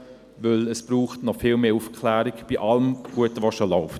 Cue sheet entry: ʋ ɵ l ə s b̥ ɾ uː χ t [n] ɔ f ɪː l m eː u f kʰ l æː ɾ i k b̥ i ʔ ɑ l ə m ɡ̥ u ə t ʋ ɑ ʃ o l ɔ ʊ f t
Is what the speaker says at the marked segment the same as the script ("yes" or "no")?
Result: yes